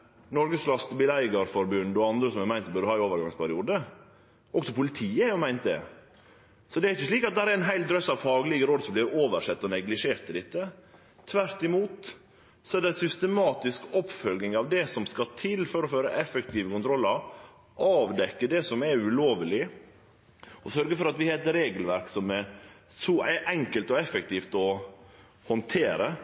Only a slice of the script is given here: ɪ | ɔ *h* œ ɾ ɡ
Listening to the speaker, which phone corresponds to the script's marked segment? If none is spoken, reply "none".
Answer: s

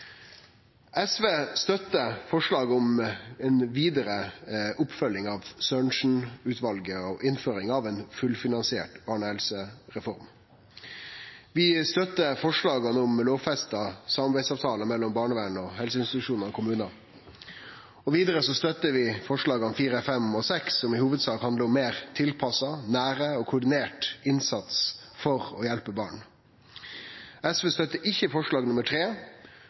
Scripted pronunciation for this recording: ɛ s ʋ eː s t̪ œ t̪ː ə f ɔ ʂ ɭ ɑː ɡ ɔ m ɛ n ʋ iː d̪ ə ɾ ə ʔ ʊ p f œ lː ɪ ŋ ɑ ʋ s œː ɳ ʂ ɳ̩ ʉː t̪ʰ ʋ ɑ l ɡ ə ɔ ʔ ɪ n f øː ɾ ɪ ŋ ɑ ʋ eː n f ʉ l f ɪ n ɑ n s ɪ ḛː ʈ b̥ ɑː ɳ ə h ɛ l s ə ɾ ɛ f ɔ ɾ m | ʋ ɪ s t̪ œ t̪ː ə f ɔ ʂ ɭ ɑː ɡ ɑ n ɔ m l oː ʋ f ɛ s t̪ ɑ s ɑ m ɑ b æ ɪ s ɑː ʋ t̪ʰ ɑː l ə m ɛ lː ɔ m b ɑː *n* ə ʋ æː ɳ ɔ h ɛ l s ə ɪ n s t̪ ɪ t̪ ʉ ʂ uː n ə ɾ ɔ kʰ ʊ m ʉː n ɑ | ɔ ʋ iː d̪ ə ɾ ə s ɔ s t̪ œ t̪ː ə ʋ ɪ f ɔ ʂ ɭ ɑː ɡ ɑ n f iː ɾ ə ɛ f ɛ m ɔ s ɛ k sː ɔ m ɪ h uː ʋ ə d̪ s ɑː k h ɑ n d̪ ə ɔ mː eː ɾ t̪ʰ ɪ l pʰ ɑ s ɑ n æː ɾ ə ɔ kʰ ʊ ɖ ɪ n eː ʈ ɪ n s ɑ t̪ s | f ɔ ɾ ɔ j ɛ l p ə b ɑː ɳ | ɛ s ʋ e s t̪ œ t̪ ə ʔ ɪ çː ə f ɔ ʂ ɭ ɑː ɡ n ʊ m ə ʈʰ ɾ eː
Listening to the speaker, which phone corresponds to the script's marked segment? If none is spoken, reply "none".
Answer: ɳ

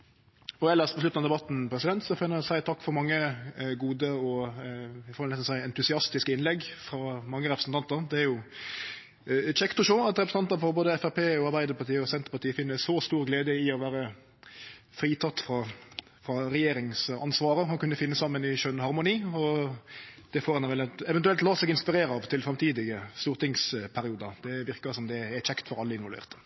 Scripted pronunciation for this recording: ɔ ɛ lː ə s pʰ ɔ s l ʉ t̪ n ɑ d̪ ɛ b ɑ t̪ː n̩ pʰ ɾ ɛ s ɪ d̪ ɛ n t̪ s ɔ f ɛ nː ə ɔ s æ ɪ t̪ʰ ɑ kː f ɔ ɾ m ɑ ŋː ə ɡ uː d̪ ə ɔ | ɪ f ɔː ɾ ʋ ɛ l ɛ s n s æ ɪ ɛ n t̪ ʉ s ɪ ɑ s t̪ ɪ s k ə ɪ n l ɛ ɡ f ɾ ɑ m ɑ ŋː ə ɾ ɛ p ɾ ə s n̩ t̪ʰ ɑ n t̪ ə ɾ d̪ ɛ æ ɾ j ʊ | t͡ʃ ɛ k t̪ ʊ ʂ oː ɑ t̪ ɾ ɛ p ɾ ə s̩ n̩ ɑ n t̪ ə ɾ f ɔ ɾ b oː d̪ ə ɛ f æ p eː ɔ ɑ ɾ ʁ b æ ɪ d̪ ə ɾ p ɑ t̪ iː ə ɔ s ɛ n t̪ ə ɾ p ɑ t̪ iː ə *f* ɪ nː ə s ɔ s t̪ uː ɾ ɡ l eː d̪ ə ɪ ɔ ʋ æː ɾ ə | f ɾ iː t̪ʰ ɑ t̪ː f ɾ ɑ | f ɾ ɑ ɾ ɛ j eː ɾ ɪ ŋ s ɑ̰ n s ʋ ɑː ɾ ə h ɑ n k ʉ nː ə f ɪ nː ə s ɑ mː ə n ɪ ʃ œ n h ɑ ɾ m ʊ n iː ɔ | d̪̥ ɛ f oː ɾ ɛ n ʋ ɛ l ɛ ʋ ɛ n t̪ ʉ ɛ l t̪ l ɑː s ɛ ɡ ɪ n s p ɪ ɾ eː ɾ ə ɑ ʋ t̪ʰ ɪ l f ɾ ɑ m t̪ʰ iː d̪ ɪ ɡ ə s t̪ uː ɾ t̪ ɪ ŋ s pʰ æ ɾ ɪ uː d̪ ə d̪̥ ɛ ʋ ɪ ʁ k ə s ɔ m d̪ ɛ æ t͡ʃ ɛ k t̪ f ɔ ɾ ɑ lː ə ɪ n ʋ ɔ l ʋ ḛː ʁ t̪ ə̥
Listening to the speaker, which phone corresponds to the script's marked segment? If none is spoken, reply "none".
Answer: f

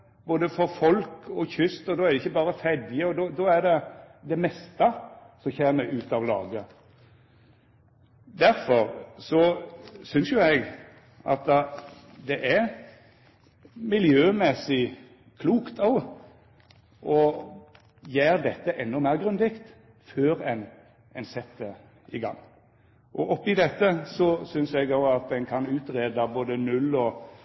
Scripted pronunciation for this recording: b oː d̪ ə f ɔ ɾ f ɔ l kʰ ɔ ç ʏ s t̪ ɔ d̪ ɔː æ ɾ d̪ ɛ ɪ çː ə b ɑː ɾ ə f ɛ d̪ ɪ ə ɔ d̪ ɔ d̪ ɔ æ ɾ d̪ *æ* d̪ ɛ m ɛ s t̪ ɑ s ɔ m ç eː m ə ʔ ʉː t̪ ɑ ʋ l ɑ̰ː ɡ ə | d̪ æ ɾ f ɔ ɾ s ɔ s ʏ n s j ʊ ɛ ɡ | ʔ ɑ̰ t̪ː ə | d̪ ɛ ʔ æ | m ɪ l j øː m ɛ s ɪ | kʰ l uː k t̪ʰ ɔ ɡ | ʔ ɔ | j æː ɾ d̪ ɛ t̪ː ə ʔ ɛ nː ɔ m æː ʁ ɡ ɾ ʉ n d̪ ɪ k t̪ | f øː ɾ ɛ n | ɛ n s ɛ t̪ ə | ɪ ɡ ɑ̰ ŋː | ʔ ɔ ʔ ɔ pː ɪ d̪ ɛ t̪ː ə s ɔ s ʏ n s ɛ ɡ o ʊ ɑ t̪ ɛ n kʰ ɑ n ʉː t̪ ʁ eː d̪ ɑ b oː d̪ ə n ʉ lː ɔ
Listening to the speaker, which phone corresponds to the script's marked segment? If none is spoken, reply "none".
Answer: ɛ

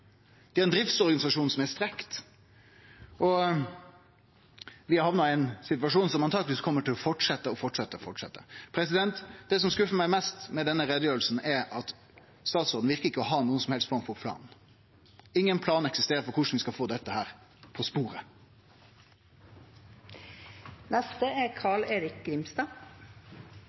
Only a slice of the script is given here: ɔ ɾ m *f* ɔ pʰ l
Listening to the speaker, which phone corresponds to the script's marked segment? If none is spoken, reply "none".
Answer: f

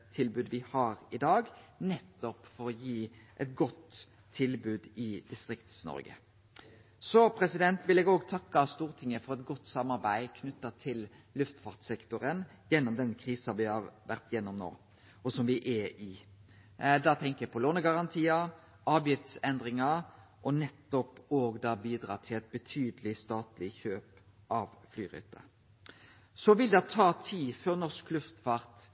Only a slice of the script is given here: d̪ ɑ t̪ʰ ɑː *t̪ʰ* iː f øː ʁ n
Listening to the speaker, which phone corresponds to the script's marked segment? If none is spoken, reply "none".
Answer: t̪ʰ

